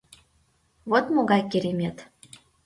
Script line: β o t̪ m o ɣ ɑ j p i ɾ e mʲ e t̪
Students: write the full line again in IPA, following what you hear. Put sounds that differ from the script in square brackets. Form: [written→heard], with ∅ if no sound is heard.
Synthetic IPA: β o t̪ m o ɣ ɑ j [p→k] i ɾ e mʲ e t̪